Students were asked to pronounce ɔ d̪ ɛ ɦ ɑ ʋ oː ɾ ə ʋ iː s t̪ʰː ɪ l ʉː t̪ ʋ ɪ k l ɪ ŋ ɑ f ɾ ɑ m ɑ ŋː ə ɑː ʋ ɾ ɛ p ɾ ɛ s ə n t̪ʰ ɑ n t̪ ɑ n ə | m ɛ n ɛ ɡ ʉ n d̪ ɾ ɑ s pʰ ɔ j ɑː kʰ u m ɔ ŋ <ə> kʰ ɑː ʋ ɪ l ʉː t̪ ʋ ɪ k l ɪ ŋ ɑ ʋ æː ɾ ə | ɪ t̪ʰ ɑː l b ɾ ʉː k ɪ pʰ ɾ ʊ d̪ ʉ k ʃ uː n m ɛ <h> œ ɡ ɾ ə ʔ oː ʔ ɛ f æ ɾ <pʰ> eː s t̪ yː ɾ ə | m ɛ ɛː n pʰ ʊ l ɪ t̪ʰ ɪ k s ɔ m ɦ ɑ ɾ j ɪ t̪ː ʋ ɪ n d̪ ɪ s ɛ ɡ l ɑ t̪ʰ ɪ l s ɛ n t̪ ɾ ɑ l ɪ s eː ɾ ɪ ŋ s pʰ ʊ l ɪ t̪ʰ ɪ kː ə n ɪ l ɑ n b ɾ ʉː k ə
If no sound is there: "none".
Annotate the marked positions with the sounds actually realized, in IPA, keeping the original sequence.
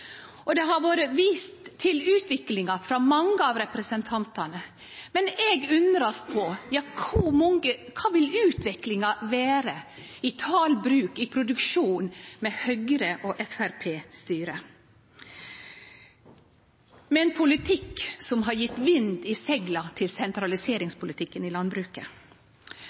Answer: ə, h, pʰ

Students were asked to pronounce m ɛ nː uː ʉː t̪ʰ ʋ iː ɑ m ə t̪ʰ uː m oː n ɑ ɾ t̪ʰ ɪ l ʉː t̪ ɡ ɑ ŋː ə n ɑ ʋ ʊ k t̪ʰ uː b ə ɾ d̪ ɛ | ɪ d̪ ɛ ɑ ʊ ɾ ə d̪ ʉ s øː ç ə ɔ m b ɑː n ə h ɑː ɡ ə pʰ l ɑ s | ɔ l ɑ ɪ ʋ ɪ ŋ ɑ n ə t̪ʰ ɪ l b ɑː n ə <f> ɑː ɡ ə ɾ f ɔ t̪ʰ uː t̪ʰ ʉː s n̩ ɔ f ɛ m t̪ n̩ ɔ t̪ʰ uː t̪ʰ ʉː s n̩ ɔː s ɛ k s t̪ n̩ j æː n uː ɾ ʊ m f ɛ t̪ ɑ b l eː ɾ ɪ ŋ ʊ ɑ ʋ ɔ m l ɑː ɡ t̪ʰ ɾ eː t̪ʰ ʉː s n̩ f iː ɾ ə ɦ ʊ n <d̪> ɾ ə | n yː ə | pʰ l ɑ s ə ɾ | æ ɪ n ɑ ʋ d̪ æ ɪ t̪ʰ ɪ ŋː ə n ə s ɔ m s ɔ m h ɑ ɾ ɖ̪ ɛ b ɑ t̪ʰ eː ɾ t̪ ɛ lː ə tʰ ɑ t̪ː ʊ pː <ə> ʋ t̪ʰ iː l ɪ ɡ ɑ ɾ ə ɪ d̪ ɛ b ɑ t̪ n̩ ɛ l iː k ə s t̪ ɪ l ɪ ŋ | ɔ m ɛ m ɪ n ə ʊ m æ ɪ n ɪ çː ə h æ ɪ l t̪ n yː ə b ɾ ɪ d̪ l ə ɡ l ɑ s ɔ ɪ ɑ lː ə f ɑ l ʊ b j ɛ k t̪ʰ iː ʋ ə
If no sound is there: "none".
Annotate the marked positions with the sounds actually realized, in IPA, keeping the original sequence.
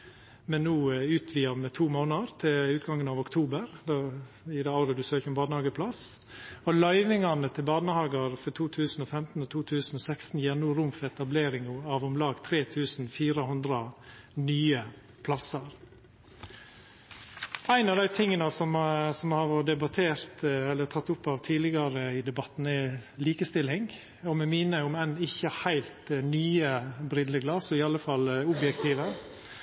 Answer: h, d̪, ɑ

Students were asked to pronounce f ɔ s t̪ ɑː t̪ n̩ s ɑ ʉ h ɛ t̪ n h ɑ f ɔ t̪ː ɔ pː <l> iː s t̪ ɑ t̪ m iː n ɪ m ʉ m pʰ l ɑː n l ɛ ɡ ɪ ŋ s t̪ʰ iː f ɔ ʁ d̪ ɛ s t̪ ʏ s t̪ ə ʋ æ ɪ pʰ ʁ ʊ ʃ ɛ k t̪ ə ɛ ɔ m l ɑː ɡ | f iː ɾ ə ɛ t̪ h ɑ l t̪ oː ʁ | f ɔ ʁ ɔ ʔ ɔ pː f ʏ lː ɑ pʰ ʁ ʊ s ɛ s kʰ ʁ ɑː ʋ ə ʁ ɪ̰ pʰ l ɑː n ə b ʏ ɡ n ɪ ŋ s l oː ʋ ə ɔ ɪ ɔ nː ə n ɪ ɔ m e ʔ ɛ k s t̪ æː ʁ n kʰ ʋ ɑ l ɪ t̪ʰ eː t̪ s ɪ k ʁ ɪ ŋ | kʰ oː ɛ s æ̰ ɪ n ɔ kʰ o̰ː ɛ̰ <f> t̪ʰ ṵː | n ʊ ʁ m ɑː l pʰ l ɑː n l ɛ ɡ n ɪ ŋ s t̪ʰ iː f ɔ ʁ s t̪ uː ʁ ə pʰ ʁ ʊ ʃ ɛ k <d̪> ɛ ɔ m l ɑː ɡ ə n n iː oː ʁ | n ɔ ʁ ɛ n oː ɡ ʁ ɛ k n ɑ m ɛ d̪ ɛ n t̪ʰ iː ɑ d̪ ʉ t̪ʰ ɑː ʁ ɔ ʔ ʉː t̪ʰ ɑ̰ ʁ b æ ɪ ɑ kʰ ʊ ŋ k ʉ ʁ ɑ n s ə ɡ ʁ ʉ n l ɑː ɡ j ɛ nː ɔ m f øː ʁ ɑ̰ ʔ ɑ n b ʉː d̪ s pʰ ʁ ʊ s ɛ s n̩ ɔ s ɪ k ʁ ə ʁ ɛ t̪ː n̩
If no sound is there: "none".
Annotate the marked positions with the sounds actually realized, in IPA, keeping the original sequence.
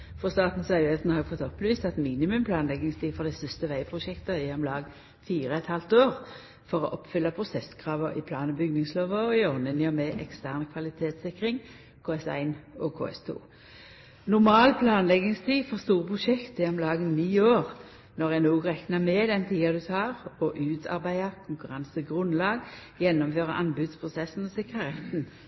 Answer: l, s, t̪

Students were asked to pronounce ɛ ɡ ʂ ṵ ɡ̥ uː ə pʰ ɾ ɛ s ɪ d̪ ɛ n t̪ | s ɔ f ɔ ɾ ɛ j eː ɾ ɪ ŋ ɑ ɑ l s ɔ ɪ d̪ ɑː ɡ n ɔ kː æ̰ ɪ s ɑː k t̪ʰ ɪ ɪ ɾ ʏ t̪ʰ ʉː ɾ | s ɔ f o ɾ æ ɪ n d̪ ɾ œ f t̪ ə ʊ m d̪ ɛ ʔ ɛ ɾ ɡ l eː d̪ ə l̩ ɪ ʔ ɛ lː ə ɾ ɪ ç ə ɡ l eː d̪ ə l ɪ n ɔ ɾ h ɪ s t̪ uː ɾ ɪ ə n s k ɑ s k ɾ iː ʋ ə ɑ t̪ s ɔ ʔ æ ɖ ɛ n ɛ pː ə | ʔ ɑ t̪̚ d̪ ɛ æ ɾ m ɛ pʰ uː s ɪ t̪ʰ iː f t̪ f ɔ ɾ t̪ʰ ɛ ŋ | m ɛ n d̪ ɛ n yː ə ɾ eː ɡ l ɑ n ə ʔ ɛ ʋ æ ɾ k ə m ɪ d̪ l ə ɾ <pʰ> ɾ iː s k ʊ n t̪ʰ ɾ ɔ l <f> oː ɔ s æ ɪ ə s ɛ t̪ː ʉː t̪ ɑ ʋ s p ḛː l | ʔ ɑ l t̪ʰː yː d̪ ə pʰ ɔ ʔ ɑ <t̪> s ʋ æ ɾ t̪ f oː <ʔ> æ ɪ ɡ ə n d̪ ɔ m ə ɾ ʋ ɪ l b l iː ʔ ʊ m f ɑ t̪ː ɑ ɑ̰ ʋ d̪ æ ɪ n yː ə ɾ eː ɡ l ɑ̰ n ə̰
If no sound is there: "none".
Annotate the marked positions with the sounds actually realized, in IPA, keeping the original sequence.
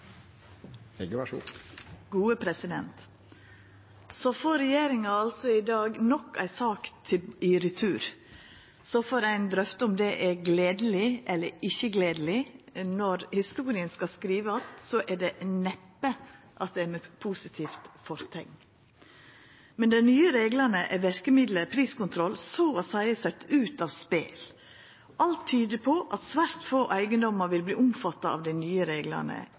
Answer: pʰ, s, t̪, ʔ

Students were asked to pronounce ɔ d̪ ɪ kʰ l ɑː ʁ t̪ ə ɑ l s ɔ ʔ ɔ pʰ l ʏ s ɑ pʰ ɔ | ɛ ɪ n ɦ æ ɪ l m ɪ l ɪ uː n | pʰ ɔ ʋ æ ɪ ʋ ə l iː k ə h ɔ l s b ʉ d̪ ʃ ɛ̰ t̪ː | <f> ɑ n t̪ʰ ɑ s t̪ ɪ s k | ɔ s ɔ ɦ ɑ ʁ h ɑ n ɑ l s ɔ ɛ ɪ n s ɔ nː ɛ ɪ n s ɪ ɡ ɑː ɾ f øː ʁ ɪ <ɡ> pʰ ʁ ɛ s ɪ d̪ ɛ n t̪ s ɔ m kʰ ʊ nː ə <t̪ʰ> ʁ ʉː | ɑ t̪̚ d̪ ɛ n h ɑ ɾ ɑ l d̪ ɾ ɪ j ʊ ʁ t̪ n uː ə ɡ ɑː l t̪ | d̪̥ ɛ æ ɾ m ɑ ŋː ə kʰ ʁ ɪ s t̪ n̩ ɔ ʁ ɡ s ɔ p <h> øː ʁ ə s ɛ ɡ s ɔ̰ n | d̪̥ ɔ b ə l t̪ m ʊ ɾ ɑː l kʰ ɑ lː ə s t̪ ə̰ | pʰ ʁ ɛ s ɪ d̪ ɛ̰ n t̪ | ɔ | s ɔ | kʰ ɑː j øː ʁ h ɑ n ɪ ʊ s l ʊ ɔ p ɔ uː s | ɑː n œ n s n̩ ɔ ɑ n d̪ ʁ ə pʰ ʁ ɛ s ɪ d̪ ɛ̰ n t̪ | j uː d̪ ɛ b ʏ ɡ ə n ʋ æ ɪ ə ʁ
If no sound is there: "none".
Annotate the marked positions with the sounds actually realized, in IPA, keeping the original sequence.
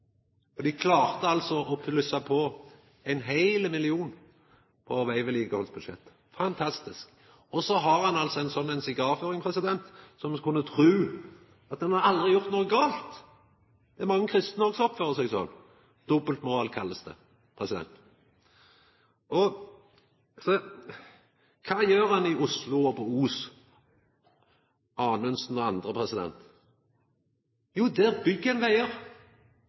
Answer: f, ŋ, t̪ʰ, f

